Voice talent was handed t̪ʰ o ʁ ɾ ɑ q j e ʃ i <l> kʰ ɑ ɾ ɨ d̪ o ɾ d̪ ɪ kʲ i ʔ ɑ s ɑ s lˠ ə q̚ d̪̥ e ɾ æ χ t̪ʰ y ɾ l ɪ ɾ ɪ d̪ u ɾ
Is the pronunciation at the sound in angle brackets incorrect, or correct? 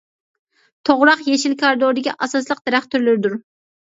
correct